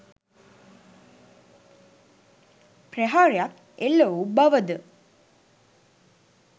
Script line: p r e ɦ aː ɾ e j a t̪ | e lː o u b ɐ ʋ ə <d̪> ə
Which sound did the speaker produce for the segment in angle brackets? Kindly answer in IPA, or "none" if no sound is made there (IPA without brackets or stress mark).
d̪